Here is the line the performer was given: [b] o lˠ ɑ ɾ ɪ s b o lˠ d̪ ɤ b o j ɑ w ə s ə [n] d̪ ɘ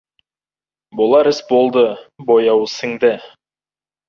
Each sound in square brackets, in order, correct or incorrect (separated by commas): correct, incorrect